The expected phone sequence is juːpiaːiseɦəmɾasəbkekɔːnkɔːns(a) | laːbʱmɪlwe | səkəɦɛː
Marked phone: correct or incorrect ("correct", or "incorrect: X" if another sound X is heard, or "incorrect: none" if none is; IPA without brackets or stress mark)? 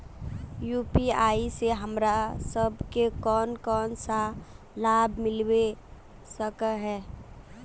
correct